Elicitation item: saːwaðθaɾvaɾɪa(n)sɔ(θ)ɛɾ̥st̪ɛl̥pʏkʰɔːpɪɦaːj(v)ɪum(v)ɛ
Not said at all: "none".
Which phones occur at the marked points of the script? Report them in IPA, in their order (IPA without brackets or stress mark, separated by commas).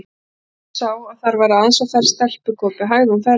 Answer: n, f, ð, f